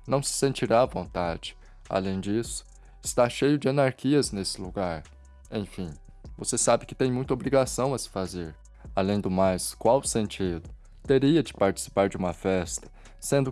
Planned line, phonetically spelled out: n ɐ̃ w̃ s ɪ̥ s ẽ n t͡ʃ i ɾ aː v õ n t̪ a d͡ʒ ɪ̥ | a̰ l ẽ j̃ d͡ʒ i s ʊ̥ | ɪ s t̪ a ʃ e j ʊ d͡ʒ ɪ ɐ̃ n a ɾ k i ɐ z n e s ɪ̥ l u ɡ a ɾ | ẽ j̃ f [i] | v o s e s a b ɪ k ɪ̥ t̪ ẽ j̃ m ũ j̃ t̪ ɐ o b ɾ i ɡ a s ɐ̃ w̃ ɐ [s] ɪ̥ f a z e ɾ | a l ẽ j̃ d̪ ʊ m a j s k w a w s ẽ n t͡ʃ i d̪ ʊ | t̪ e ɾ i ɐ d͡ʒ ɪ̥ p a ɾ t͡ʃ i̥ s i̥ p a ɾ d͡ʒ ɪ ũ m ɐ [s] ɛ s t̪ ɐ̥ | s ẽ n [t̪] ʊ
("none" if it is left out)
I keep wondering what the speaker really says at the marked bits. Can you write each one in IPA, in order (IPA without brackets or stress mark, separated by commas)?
ĩ, s, f, d̪